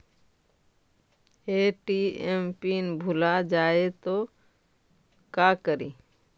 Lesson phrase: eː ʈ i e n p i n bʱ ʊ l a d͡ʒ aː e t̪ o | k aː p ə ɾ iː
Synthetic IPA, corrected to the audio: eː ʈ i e m p i n bʱ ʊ l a d͡ʒ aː e t̪ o | k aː k ə ɾ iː

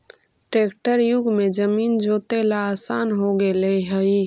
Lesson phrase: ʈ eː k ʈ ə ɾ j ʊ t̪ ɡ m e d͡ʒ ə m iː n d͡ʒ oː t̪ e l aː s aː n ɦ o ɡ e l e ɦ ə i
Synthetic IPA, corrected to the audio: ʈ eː k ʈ ə ɾ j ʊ ɡ m e d͡ʒ ə m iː n d͡ʒ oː t̪ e l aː s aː n ɦ o ɡ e l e ɦ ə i

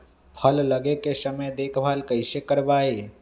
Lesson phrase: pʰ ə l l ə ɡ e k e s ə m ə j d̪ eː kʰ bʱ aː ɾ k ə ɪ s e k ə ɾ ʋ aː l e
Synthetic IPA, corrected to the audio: pʰ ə l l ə ɡ e k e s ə m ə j d̪ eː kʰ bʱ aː l k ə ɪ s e k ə ɾ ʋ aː e

